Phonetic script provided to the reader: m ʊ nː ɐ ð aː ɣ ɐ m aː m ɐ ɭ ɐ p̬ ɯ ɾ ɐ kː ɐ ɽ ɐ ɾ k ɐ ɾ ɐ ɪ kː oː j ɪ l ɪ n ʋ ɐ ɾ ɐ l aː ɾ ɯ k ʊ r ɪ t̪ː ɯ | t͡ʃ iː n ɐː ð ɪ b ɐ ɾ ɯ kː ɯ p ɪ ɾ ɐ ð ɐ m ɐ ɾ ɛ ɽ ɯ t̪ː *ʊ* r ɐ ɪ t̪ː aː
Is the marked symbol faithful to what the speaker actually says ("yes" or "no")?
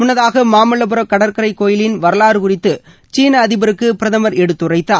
no